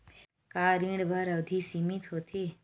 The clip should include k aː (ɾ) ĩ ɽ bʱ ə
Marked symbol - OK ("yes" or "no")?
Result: yes